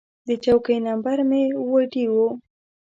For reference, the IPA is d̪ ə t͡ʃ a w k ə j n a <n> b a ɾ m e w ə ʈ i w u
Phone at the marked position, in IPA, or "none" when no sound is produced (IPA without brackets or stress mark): m